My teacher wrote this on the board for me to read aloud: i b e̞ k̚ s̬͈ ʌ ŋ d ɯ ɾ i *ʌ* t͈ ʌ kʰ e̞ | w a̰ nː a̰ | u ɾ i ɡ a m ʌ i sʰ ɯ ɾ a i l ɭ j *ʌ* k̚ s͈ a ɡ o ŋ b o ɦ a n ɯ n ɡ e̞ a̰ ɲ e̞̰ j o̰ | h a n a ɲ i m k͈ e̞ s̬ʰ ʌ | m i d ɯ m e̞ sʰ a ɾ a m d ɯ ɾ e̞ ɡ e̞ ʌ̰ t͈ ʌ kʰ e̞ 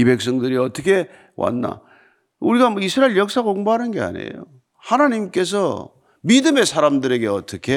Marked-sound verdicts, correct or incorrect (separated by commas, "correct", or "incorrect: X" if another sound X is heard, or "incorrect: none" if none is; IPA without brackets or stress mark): correct, correct